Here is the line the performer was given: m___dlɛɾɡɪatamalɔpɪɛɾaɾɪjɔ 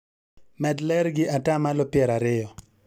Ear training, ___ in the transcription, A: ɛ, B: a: A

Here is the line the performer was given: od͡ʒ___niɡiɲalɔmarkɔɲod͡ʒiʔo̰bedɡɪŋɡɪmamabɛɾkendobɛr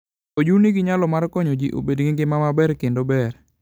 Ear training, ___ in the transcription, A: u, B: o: A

